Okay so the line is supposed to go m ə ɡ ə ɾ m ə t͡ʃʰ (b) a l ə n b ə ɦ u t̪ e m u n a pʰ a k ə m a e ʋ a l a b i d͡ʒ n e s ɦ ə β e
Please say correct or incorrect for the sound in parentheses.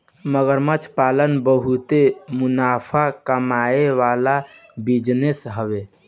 incorrect